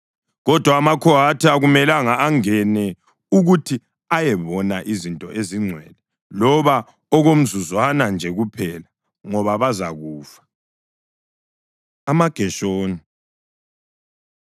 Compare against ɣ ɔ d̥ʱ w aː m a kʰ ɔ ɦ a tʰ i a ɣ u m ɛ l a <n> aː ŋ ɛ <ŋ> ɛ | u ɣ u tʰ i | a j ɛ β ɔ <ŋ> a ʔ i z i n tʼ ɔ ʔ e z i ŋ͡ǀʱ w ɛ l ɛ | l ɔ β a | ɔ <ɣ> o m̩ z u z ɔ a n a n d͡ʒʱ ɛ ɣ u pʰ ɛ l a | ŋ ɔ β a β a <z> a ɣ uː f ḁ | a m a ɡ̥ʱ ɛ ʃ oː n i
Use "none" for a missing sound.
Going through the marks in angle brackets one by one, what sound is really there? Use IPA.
ŋ, n, n, ɣ, z

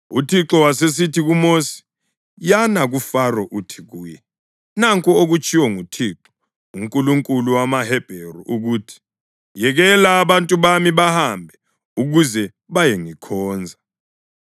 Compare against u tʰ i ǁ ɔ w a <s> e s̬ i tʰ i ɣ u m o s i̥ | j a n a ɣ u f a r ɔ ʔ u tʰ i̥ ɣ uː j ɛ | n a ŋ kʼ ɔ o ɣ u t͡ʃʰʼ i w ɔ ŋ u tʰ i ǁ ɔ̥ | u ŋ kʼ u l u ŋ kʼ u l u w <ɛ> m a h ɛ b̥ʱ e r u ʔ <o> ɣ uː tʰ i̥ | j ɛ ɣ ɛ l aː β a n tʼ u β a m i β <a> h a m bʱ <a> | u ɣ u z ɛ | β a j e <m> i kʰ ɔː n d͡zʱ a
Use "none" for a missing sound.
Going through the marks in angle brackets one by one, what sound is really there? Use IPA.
s, a, u, a, ɛ, ŋ

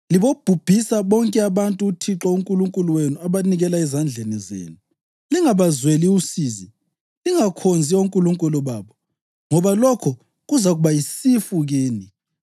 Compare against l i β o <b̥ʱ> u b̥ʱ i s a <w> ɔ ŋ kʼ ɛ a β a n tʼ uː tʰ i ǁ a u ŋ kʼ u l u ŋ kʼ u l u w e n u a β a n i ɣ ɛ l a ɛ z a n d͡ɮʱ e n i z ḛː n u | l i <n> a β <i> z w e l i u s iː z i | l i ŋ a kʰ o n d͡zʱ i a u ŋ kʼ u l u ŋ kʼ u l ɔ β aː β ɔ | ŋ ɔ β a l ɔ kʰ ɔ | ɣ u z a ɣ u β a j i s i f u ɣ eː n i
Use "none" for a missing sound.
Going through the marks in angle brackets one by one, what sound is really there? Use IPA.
b̥ʱ, β, ŋ, a

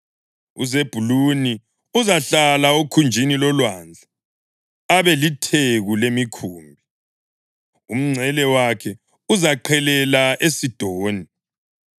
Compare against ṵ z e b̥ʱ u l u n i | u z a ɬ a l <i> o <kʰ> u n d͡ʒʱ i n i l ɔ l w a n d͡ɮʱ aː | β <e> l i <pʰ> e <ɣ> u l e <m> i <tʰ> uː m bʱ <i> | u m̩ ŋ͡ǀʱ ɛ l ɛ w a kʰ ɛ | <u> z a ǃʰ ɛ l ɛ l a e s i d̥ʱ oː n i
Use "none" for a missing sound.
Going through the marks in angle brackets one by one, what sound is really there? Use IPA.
a, kʰ, ɛ, tʰ, ɣ, m, kʰ, i, u

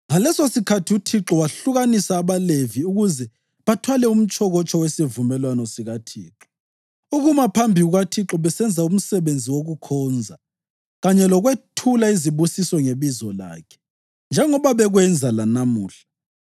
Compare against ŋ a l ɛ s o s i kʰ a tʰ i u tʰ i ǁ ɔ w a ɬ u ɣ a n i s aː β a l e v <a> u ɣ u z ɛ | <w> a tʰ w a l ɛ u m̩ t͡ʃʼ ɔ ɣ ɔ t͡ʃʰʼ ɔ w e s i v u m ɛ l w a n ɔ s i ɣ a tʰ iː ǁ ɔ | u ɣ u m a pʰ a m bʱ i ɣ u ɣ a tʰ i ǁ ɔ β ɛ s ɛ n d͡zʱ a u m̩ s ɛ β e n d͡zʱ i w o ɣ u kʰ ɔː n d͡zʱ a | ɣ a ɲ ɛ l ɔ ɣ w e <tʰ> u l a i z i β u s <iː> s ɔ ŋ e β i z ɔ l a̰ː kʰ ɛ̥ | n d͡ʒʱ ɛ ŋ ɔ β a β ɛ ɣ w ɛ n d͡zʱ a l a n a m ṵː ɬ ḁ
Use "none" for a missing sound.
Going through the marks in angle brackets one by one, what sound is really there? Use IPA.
i, β, tʰ, i

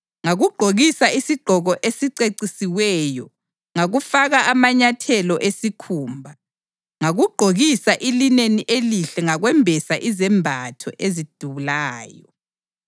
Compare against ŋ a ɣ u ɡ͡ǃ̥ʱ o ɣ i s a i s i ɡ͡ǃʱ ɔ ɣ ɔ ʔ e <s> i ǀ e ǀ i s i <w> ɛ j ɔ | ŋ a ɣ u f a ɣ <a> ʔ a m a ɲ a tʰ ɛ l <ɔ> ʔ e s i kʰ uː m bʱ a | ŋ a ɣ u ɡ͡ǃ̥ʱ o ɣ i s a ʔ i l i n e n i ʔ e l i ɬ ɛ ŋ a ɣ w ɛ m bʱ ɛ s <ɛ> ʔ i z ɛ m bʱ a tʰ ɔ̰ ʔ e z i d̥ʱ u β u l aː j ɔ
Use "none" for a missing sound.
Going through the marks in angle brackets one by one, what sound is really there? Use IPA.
s, w, a, ɔ, a

